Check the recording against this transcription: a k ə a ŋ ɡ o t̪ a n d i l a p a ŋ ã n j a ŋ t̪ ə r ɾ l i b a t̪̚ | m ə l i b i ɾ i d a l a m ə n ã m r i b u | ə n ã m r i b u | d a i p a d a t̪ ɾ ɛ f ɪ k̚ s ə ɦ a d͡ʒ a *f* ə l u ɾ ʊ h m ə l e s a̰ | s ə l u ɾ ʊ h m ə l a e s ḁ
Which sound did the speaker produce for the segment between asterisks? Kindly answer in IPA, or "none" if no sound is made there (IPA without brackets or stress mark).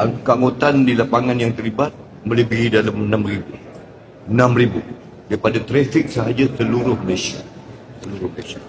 s